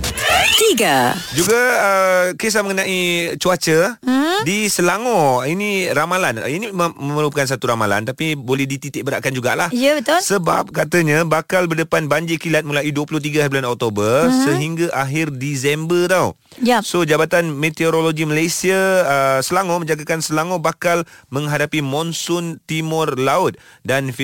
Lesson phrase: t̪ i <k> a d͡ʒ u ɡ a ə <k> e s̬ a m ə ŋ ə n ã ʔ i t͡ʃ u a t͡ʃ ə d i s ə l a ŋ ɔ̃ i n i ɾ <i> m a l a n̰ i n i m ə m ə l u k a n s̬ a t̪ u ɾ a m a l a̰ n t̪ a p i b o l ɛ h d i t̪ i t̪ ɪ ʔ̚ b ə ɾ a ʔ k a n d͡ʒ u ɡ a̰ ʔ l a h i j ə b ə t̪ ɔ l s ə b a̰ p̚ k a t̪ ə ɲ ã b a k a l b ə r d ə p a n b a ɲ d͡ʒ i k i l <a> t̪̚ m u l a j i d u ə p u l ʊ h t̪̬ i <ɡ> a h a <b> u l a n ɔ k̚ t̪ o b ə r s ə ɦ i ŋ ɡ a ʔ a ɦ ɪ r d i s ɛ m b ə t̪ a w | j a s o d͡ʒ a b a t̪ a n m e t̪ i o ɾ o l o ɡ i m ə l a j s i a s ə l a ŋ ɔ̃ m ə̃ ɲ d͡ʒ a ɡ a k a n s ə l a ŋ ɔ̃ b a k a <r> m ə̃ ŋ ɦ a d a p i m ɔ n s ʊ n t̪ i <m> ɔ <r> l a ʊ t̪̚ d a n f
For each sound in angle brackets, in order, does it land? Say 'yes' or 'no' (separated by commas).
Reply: no, yes, no, yes, yes, yes, no, yes, yes